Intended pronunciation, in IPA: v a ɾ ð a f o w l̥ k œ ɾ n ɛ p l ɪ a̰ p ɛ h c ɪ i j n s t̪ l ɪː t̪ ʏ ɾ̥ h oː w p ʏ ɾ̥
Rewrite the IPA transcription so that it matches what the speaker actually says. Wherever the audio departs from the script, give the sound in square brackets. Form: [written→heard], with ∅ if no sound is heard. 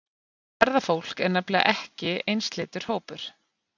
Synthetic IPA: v [a→ɛ] ɾ ð a f o w l̥ k [œ→ɛ] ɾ n ɛ p l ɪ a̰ [p→ʔ] ɛ h c ɪ [i→e] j n s t̪ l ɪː t̪ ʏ ɾ̥ h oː w p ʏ ɾ̥